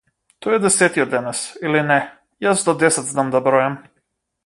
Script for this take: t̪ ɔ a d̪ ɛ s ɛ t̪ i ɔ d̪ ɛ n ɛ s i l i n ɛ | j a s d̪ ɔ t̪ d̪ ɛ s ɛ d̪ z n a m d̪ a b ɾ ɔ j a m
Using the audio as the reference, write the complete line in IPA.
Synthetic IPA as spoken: t̪ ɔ ɛ d̪ ɛ s ɛ t̪ i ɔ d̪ ɛ n ɛ s i l i n ɛ | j a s d̪ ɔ d̪ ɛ s ɛ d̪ z n a m d̪ a b ɾ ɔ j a m

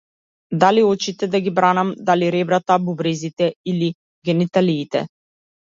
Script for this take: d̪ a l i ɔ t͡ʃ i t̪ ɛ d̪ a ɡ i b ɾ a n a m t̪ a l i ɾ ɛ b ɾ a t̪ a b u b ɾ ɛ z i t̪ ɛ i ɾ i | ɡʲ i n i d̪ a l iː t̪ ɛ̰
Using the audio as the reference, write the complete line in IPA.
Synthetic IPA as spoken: d̪ a l i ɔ t͡ʃ i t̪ ɛ d̪ a ɡ i b ɾ a n a m d̪ a l i ɾ ɛ b ɾ a t̪ a b u b ɾ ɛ z i t̪ ɛ i l i | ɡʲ ɛ n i t̪ a l iː t̪ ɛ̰

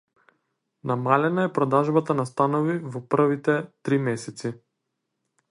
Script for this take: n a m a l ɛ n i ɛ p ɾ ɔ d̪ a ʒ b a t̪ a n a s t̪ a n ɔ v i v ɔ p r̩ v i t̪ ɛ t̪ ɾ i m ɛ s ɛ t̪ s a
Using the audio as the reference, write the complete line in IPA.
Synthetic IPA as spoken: n a m a l ɛ n a ɛ p ɾ ɔ d̪ a ʒ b a t̪ a n a s t̪ a n ɔ v i v ɔ p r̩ v i t̪ ɛ t̪ ɾ i m ɛ s ɛ t̪ s i

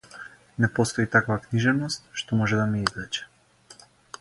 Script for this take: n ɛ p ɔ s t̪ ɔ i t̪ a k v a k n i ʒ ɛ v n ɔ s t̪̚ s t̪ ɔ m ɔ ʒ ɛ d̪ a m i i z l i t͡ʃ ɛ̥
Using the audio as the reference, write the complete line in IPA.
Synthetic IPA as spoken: n ɛ p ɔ s t̪ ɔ i t̪ a k v a k n i ʒ ɛ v n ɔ s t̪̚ ʃ t̪ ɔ m ɔ ʒ ɛ d̪ a m i i z l ɛ t͡ʃ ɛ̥

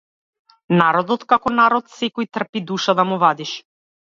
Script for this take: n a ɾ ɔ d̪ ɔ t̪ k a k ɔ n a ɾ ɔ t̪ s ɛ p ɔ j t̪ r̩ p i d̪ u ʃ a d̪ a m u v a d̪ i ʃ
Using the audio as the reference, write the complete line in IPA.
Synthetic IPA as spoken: n a ɾ ɔ d̪ ɔ t̪ k a k ɔ n a ɾ ɔ t̪ s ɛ k ɔ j t̪ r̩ p i d̪ u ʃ a d̪ a m u v a d̪ i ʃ

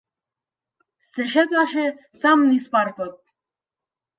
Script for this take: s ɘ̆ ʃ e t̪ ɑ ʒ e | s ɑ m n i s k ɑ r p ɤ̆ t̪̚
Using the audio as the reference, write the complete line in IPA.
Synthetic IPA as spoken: s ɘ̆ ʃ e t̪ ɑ ʃ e | s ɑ m n i s p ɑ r p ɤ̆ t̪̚

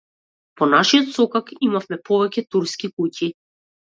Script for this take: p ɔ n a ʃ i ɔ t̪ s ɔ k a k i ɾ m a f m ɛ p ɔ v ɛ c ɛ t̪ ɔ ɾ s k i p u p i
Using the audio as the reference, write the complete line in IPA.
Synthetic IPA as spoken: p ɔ n a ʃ i ɔ t̪ s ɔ k a k i m a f m ɛ p ɔ v ɛ c ɛ t̪ u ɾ s k i k u c i

